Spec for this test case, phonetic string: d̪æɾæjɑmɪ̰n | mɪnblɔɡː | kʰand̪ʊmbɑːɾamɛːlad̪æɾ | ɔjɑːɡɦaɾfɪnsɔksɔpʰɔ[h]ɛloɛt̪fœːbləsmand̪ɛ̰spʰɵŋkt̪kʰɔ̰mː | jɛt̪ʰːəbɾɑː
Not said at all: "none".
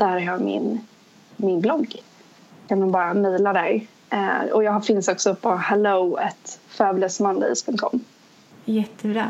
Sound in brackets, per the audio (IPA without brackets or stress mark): h